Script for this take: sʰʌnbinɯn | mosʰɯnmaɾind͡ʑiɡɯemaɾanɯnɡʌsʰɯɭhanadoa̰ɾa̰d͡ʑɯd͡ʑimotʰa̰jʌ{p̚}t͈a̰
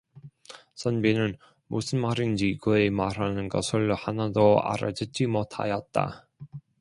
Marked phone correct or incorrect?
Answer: incorrect